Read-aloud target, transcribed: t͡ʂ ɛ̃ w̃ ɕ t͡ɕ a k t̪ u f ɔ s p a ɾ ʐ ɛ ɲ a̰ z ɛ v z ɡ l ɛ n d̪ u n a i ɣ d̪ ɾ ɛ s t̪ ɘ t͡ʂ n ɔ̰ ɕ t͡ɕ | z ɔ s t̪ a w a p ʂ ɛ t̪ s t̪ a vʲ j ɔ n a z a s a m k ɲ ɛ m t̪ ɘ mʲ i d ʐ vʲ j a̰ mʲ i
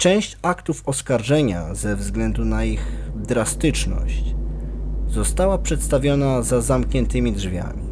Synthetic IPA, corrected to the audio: t͡ʂ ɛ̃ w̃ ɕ t͡ɕ a k t̪ u f ɔ s k a ɾ ʐ ɛ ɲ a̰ z ɛ v z ɡ l ɛ n d̪ u n a i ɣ d̪ ɾ a s t̪ ɘ t͡ʂ n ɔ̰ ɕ t͡ɕ | z ɔ s t̪ a w a p ʂ ɛ t̪ s t̪ a vʲ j ɔ n a z a z a m k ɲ ɛ n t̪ ɘ mʲ i d ʐ vʲ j a̰ mʲ i